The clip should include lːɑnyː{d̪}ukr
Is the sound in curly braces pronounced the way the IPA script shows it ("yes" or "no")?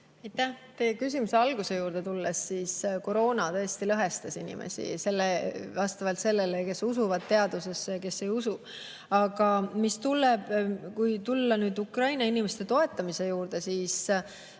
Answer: yes